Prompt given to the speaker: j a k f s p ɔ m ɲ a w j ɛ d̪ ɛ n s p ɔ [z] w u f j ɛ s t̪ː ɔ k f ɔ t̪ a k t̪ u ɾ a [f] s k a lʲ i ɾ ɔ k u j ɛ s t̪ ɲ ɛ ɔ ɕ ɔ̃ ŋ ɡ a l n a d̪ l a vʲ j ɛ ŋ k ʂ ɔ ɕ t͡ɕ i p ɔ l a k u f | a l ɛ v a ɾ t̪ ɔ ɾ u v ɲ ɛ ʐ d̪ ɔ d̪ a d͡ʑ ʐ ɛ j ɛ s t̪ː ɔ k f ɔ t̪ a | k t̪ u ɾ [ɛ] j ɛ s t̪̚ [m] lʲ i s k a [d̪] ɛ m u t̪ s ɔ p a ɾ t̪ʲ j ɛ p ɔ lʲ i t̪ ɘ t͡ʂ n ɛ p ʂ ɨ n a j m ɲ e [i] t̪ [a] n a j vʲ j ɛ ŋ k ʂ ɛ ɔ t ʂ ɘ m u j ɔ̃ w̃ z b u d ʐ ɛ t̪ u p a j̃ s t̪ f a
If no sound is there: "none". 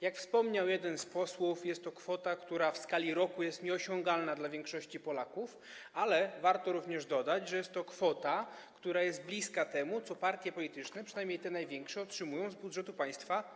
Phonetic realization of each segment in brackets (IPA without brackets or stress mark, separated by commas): s, f, a, b, t̪, j, ɛ